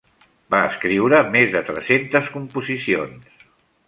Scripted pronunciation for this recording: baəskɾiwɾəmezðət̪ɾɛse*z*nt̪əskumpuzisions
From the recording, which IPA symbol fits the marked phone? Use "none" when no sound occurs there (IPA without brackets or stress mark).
none